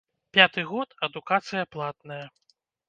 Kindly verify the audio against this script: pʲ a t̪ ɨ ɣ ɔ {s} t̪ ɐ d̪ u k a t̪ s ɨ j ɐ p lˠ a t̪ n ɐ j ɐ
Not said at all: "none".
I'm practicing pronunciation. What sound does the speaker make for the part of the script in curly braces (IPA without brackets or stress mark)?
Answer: none